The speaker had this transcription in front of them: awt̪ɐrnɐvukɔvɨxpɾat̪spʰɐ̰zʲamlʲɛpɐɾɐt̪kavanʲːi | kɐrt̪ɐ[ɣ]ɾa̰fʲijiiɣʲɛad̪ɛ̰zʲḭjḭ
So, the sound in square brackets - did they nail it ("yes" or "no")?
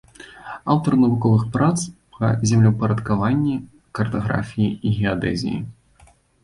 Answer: yes